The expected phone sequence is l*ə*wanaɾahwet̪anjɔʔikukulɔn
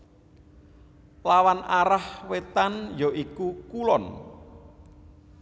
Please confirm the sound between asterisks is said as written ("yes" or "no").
no